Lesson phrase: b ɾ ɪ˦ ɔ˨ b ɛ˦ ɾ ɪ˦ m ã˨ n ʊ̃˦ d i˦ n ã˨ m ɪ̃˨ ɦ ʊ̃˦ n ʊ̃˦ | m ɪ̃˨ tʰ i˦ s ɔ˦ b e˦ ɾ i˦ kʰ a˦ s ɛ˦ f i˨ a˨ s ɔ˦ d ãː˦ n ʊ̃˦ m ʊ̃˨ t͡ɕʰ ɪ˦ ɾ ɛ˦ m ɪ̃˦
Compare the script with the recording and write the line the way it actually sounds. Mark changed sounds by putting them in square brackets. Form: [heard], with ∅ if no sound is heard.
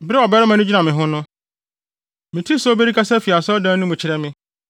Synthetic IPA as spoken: b ɾ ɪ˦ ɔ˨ b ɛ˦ ɾ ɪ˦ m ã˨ n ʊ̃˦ [d͡ʑ] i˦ n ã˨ m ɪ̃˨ ɦ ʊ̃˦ n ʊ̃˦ | m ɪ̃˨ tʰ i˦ s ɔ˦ b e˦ ɾ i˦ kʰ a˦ s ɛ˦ f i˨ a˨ s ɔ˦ d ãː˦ n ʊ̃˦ m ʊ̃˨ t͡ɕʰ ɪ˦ ɾ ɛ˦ m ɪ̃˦